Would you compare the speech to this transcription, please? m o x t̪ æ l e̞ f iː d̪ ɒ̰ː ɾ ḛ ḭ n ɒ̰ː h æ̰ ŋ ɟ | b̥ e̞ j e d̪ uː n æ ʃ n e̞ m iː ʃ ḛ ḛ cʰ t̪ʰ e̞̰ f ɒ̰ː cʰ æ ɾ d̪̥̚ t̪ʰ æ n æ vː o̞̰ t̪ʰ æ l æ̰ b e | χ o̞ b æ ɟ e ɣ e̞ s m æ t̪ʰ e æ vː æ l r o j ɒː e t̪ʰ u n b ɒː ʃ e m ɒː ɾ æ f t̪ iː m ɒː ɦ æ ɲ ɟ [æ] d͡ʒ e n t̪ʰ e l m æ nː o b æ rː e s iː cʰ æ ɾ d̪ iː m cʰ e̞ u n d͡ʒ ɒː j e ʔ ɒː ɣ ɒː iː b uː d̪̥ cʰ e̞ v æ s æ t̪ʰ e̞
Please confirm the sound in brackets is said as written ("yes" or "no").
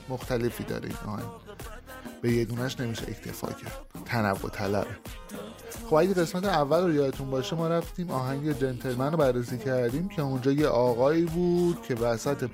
no